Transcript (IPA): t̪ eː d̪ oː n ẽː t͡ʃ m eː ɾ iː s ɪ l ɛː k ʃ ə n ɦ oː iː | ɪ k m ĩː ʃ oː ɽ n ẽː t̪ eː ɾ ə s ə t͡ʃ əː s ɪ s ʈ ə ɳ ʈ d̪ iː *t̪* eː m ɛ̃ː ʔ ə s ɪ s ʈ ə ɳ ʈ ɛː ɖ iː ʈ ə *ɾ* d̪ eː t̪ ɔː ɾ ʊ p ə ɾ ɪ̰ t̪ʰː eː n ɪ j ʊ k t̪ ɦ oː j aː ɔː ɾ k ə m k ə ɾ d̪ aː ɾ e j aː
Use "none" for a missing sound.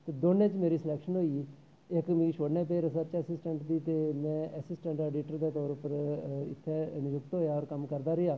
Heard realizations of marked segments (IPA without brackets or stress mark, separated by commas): t̪, ɾ